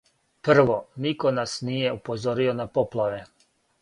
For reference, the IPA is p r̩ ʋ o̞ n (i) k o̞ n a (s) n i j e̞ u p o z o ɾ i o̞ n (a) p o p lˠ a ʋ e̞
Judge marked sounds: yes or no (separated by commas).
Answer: yes, yes, yes